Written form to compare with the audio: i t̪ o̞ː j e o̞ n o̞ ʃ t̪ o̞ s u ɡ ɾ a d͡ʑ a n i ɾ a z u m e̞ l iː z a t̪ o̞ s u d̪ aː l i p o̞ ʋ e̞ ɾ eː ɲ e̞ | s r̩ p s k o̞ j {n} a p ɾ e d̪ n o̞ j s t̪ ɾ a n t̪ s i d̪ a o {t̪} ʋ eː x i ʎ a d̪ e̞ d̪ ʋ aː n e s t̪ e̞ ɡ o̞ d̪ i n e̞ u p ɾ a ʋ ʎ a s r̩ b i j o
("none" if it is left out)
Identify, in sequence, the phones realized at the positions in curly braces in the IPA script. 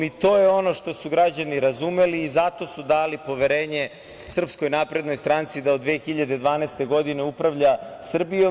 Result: n, d̪

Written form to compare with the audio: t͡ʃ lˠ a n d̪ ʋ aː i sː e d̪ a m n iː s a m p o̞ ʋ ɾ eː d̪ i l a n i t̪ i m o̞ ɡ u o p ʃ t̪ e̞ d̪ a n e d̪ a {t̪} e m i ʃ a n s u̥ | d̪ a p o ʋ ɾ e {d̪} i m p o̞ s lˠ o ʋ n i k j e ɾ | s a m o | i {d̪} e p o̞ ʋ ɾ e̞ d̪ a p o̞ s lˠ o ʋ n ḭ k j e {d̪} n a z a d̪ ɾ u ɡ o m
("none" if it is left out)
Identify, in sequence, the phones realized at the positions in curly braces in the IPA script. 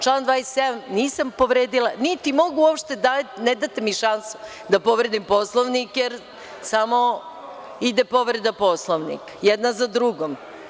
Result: t̪, d̪, d̪, d̪

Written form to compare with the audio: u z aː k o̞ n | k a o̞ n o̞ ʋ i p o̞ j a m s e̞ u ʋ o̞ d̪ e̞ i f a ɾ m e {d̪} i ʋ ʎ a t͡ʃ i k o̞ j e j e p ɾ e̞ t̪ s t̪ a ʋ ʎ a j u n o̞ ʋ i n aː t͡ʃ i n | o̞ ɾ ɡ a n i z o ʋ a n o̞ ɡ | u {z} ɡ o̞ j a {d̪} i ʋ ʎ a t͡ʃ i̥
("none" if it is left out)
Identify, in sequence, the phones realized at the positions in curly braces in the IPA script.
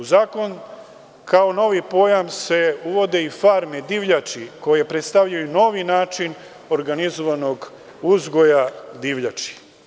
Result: d̪, z, d̪

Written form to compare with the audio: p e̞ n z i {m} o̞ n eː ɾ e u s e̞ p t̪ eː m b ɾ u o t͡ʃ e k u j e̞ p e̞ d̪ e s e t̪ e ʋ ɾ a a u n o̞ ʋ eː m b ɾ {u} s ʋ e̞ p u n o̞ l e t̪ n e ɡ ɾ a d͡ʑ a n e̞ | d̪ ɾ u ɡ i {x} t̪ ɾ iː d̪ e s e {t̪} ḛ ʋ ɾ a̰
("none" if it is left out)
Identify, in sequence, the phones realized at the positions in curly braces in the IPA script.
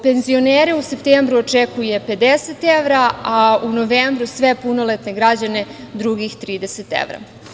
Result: none, u, x, t̪

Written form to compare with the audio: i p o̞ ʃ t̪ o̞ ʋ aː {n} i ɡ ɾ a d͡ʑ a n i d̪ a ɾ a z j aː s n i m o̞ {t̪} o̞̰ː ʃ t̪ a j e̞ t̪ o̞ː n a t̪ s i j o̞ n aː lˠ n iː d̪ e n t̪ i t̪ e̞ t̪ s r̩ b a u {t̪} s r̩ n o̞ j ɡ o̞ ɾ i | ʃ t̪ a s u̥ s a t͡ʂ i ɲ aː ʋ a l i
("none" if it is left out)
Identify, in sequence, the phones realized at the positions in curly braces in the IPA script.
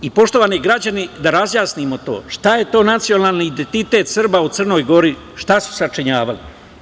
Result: n, t̪, t̪

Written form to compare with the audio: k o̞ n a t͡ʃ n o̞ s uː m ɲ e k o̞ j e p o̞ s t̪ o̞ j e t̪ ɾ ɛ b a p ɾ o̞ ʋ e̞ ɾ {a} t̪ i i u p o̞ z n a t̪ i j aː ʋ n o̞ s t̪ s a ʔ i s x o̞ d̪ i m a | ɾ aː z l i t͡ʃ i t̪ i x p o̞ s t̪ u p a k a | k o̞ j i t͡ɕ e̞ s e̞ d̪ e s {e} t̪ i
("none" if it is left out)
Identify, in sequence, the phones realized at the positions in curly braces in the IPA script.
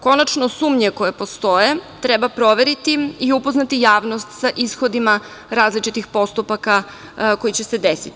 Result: i, i

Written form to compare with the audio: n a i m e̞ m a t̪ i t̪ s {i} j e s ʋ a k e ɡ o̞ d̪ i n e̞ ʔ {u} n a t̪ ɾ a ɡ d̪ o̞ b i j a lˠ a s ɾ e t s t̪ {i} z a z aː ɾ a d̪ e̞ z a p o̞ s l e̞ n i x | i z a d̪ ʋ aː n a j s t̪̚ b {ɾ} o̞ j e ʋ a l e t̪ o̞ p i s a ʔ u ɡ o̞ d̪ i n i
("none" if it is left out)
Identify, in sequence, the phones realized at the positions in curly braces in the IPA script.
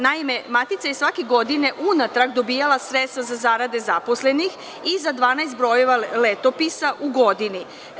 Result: a, u, a, ɾ

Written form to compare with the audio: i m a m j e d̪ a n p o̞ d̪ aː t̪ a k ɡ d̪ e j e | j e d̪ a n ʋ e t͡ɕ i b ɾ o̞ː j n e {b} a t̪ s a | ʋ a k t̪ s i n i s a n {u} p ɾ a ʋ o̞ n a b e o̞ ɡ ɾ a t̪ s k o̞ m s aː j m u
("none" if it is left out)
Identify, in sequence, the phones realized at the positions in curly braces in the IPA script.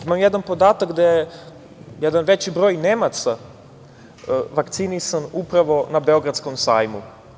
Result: m, u

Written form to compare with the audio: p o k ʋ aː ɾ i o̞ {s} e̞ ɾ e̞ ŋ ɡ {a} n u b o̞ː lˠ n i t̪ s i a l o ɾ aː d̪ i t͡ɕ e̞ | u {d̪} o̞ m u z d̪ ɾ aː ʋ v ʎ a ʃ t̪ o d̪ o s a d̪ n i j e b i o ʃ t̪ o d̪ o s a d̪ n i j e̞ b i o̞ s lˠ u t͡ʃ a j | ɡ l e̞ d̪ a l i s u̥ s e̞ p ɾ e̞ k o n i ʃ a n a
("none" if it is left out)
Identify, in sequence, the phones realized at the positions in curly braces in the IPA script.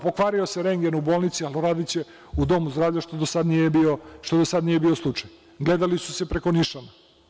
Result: s, e, d̪

